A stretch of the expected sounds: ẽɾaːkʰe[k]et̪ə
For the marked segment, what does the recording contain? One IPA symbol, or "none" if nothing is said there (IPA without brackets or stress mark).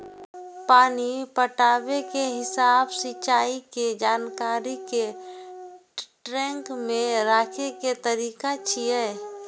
k